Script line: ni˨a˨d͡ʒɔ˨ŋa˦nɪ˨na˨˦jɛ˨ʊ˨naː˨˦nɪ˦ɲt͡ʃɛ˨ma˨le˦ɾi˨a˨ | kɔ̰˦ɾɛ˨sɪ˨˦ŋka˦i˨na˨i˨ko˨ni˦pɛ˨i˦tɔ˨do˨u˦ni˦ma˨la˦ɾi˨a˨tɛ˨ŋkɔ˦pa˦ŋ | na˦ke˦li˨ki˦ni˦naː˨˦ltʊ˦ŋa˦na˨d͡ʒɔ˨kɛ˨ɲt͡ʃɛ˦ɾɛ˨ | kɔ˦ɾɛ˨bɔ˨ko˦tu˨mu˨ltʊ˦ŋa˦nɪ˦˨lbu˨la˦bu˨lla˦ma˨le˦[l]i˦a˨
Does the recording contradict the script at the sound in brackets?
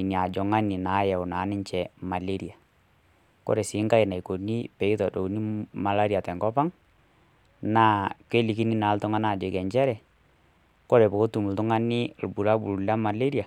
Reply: yes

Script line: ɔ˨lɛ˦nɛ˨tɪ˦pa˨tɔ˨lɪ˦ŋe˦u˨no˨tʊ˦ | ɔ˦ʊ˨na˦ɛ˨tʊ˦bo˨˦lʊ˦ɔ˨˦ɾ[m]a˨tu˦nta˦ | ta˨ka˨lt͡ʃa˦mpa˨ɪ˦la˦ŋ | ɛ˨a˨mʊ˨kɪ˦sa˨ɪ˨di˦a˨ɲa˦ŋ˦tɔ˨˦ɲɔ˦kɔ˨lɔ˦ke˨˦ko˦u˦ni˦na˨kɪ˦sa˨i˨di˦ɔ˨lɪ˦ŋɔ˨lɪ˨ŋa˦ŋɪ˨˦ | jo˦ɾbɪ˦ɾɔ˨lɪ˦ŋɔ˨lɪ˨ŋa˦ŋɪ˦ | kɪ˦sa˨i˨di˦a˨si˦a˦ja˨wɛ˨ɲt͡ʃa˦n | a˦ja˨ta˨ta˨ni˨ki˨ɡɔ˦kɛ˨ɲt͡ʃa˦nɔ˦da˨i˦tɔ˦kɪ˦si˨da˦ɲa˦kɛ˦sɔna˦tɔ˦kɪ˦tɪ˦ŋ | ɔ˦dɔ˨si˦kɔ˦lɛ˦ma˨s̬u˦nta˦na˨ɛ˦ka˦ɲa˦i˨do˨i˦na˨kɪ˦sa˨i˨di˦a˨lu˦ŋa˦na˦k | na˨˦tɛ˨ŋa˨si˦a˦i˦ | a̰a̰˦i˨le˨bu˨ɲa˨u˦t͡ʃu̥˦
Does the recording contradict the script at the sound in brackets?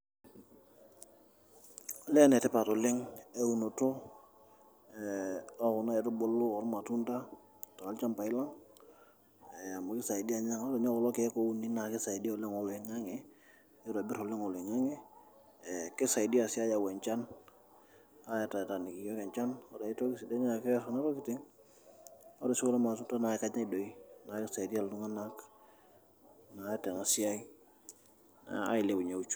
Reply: no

